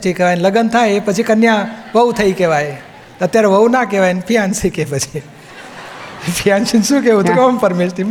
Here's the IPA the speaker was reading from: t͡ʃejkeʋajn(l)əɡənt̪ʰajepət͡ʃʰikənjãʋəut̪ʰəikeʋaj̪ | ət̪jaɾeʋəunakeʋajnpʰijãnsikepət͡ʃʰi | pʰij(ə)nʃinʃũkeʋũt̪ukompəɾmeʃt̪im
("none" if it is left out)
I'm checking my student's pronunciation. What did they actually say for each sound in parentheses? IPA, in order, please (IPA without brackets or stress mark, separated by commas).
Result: l, a